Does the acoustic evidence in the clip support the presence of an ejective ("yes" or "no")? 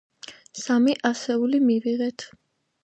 no